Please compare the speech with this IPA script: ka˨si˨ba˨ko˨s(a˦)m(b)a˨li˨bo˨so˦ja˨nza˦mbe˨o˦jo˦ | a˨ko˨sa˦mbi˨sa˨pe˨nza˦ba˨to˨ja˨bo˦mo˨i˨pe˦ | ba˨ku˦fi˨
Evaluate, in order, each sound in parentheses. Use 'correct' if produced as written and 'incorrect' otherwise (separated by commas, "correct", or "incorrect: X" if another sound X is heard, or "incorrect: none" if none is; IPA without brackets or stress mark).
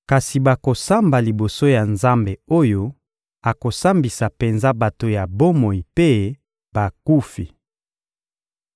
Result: correct, correct